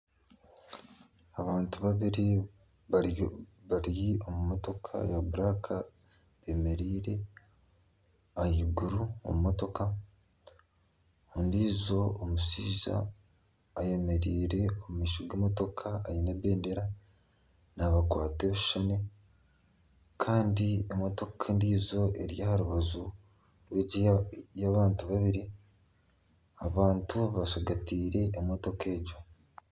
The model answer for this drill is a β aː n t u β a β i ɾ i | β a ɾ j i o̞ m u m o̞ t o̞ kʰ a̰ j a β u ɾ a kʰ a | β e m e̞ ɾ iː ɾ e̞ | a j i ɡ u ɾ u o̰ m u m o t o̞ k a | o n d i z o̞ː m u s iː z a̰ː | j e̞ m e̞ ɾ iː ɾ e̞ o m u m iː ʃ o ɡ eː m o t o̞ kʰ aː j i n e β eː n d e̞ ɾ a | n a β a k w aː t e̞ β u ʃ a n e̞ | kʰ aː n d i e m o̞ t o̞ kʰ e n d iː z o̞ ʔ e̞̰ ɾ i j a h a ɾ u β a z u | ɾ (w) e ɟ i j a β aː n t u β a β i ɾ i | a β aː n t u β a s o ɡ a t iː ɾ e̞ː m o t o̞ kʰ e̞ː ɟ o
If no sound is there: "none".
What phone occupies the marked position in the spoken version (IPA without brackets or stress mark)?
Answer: w